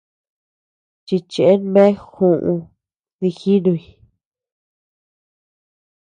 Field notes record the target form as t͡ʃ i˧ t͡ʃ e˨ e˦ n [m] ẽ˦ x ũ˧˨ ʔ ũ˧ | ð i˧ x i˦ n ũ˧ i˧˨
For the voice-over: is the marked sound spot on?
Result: yes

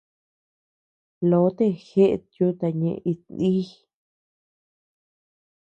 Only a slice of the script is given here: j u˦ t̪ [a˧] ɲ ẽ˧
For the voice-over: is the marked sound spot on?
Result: yes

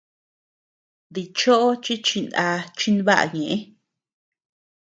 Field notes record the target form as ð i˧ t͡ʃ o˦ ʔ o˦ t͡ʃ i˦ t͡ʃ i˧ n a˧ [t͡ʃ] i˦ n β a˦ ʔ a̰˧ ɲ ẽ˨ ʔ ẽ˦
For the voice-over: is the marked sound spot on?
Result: yes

